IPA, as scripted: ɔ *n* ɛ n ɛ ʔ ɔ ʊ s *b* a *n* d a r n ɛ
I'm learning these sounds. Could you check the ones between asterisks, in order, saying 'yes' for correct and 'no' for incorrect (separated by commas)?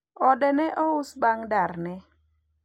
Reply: no, yes, no